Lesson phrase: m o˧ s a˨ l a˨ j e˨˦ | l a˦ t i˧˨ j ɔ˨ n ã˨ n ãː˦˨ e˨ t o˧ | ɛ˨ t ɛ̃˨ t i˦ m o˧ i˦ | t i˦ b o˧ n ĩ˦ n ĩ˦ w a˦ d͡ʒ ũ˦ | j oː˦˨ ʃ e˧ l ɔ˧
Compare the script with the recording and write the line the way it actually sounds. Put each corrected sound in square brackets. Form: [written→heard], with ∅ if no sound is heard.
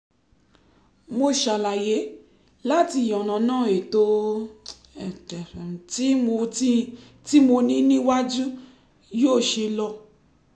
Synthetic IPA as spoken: m o˧ [s→ʃ] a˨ l a˨ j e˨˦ | l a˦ t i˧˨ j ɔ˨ n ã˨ n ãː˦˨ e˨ t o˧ | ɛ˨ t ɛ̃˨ t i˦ m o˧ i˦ | t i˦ [b→m] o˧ n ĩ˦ n ĩ˦ w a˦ d͡ʒ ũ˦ | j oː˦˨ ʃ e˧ l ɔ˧

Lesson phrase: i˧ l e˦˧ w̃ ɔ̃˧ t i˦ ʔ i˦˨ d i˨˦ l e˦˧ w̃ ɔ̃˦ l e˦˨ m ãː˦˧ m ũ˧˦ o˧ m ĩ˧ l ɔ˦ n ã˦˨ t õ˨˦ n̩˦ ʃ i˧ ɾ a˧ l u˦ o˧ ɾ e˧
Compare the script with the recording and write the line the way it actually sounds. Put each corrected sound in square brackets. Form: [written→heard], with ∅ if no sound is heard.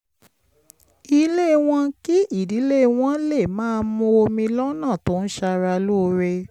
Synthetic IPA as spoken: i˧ l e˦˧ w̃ ɔ̃˧ [t→k] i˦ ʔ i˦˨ d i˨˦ l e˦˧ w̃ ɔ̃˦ l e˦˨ m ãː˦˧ m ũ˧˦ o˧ m ĩ˧ l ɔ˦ n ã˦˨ t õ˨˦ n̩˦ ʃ [i˧→a˧] ɾ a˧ l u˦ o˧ ɾ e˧

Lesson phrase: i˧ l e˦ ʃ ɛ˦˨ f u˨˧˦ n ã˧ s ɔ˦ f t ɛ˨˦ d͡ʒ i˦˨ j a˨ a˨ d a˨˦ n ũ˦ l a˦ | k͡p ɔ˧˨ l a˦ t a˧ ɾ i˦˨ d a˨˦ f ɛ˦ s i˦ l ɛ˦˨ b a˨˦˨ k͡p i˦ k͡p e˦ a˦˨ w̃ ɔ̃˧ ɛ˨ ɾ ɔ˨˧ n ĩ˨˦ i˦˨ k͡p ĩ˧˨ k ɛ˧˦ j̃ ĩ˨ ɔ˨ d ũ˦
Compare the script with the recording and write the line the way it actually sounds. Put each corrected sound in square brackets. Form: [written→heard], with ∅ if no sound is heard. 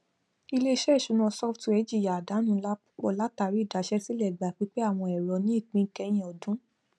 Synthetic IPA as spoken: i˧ l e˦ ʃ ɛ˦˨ [f→ʃ] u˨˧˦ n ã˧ s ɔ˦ f t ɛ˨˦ d͡ʒ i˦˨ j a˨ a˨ d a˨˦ n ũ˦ l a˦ | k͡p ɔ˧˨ l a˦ t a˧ ɾ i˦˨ d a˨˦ [f→ʃ] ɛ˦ s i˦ l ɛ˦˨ [b→ɡ͡b] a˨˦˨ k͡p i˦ k͡p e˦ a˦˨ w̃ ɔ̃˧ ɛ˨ ɾ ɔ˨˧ n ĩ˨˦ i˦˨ k͡p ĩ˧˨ k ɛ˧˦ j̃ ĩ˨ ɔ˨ d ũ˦

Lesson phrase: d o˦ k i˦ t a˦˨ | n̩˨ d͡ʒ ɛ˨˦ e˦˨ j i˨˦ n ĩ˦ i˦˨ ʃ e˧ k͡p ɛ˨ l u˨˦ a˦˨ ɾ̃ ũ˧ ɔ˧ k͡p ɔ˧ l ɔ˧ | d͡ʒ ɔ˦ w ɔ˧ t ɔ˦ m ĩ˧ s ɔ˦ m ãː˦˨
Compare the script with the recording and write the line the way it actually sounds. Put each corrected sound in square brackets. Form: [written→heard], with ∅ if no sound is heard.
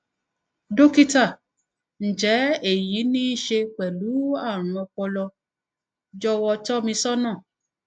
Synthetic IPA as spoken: d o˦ k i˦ t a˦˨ | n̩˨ d͡ʒ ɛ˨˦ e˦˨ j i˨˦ n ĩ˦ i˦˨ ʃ e˧ k͡p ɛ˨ l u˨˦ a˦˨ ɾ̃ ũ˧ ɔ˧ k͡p ɔ˧ l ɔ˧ | d͡ʒ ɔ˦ w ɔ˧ t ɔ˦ m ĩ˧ s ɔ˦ [m→n] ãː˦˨

